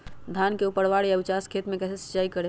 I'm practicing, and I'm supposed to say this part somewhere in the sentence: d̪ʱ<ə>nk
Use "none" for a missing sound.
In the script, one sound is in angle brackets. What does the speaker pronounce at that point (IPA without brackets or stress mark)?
a